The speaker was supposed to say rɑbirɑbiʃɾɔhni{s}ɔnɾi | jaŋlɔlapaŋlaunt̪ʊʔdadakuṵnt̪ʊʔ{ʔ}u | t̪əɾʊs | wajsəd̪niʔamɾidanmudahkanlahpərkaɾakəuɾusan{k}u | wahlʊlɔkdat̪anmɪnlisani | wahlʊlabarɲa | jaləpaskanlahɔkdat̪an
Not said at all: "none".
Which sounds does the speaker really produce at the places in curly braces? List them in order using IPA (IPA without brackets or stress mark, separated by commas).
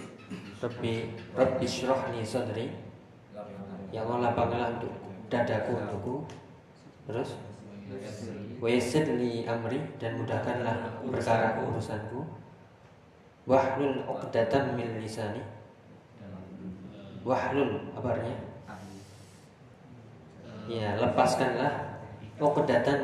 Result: s, k, k